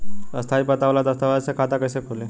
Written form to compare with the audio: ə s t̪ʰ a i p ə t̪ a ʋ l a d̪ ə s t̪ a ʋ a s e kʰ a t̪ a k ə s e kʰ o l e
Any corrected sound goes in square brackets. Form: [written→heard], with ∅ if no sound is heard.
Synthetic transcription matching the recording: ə s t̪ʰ a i p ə t̪ a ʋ l a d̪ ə s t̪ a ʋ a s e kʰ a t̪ a k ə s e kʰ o l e